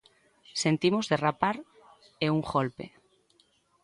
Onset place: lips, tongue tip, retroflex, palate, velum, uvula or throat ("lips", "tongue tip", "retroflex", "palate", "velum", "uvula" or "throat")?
tongue tip